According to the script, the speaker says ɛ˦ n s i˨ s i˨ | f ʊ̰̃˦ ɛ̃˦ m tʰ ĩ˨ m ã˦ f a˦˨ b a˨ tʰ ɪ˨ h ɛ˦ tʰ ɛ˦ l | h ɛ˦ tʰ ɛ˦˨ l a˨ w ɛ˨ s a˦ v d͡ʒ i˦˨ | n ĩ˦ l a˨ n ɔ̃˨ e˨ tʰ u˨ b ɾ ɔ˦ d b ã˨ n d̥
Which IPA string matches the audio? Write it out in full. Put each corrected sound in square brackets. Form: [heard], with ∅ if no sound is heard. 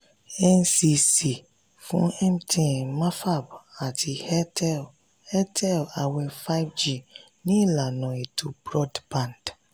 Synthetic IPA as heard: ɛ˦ n s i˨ s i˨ | f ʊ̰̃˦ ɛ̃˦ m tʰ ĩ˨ m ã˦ f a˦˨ b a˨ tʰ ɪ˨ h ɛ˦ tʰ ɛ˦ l | h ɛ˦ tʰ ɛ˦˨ l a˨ w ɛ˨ [f] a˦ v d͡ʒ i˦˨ | n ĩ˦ l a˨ n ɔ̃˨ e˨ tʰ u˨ b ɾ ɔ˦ d b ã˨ n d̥